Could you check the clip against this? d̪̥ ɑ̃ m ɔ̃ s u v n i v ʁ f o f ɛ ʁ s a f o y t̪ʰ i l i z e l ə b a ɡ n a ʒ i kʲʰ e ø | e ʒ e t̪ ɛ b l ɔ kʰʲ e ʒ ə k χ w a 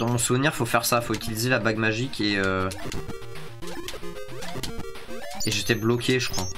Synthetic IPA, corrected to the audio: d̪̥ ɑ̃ m ɔ̃ s u v n i ʁ f o f ɛ ʁ s a f o y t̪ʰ i l i z e l a b a ɡ m a ʒ i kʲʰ e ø | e ʒ e t̪ ɛ b l ɔ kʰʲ e ʒ ə k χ w a